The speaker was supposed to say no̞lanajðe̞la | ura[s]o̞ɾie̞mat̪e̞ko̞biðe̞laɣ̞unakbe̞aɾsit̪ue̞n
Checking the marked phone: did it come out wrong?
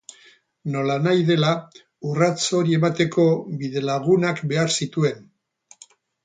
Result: yes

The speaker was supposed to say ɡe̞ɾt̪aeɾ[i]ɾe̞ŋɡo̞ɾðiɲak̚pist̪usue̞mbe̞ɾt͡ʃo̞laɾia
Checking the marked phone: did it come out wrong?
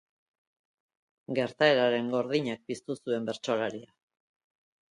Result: yes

